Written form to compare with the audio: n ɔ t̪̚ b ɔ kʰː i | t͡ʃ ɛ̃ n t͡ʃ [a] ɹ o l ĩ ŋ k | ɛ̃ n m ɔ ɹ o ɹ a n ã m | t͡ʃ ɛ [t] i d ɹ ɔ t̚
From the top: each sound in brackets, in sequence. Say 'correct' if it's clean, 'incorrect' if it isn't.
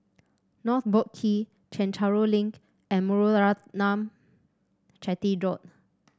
correct, correct

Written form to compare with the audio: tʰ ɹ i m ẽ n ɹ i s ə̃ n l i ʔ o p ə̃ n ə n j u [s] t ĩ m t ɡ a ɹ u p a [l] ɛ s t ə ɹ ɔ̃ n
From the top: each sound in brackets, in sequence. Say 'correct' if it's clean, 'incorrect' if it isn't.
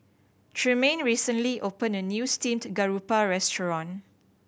correct, incorrect: ɹ

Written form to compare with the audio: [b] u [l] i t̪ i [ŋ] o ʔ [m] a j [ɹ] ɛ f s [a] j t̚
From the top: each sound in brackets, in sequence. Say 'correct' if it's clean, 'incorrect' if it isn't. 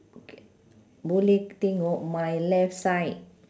correct, correct, correct, correct, incorrect: l, correct

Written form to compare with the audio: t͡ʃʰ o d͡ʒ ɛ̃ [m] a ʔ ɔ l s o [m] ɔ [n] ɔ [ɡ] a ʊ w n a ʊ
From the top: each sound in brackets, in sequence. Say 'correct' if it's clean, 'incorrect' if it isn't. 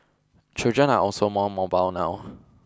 incorrect: n, correct, incorrect: m, incorrect: b

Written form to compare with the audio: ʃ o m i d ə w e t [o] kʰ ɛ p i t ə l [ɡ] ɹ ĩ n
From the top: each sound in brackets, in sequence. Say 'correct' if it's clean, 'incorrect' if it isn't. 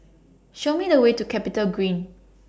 incorrect: u, correct

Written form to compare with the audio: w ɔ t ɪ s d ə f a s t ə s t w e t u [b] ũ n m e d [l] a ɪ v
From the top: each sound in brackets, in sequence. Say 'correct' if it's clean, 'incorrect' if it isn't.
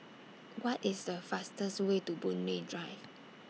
correct, incorrect: ɹ

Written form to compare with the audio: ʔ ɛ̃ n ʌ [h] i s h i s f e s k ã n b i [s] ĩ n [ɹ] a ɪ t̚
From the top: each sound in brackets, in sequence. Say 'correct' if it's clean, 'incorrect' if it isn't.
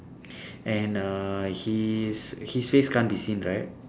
correct, correct, correct

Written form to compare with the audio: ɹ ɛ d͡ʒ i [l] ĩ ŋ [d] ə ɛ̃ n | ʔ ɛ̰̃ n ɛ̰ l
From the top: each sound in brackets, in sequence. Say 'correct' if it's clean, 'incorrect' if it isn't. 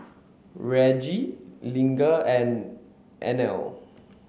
correct, incorrect: ɡ

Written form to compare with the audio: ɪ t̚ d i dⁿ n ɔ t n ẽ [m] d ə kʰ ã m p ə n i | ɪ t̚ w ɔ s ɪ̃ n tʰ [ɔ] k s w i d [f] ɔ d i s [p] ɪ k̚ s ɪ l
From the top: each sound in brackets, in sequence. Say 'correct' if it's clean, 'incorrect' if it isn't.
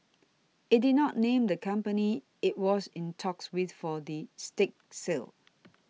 correct, correct, correct, incorrect: t

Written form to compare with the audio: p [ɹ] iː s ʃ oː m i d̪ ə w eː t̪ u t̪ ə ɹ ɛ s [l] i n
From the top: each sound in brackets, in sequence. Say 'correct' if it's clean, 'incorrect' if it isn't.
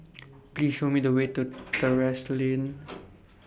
incorrect: l, correct

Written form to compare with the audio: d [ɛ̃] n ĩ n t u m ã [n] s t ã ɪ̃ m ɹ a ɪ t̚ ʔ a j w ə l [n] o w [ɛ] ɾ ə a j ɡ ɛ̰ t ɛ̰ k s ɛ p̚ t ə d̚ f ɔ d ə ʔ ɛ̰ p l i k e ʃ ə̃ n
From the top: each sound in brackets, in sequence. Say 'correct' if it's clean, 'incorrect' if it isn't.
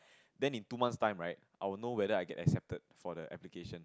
correct, correct, correct, correct

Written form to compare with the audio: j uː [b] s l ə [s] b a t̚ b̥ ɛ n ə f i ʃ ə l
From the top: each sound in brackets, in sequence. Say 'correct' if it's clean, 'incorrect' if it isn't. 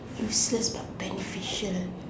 incorrect: none, correct

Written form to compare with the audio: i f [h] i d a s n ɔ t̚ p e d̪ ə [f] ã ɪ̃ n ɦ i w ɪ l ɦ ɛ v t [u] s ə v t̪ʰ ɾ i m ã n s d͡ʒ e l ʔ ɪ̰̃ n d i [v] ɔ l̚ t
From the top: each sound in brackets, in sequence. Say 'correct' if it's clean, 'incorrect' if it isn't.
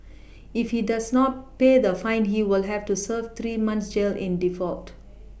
correct, correct, correct, incorrect: f

